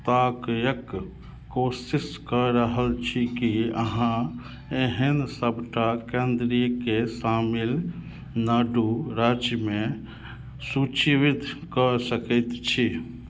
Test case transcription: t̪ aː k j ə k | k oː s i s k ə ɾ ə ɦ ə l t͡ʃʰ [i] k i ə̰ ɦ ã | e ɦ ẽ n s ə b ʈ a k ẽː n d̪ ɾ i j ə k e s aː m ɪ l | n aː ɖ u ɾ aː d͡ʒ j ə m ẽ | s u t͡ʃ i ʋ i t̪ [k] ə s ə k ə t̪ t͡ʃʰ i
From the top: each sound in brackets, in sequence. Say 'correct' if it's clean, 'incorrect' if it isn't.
correct, correct

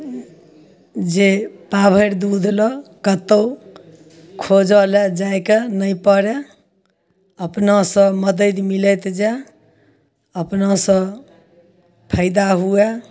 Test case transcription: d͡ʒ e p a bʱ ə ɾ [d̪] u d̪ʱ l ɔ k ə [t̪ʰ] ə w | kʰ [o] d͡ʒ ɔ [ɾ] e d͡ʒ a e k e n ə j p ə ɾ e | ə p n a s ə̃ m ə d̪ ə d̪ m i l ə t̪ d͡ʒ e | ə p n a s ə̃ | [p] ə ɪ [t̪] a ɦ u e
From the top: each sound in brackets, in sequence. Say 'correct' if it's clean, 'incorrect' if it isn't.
correct, incorrect: t̪, correct, incorrect: l, incorrect: pʰ, incorrect: d̪

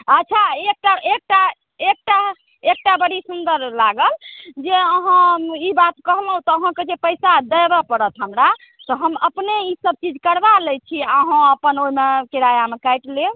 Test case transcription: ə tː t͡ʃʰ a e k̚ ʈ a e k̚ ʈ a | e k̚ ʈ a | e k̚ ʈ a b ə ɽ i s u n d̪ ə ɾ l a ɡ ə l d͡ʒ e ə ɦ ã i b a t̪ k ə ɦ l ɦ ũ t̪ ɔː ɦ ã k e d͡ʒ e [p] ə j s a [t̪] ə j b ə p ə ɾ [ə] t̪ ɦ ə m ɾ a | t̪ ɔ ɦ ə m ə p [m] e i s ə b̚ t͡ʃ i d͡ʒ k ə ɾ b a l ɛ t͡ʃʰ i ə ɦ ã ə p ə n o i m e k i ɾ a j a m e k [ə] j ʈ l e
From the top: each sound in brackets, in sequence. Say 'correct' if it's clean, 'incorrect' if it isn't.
correct, incorrect: d̪, correct, incorrect: n, incorrect: a

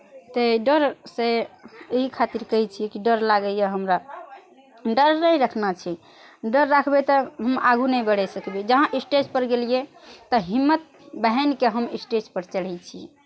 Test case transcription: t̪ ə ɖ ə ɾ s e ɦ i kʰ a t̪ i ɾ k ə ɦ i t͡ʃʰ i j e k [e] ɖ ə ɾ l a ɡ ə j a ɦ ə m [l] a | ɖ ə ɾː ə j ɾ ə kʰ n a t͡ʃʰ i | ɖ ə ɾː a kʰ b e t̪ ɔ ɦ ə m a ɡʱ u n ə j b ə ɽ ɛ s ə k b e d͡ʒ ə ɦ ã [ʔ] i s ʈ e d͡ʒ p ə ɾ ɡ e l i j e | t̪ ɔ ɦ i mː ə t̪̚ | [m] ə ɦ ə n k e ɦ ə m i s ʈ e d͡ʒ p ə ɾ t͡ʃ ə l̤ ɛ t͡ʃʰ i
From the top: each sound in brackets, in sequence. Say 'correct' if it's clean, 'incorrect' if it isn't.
incorrect: i, incorrect: ɾ, correct, incorrect: b

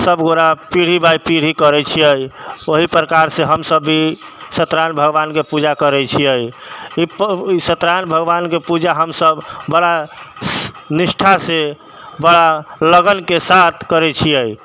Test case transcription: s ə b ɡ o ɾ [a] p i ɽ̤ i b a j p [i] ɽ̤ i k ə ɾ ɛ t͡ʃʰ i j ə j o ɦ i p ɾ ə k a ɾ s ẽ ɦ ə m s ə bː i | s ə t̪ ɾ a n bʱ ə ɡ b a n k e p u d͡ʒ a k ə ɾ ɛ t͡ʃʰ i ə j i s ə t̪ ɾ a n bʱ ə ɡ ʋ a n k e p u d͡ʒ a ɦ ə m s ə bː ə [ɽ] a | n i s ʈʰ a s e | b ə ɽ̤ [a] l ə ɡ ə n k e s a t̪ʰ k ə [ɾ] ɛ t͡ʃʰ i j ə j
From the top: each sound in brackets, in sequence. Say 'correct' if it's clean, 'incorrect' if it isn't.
correct, correct, correct, correct, correct

